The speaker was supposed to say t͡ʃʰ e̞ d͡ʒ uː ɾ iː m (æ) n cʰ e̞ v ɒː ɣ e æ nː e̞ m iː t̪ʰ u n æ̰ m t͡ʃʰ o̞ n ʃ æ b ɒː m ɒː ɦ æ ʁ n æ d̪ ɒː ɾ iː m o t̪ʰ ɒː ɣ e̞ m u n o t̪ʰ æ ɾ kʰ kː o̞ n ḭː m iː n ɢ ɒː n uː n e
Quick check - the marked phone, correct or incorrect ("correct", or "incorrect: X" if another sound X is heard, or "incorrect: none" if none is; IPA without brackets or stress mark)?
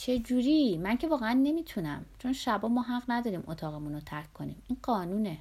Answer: correct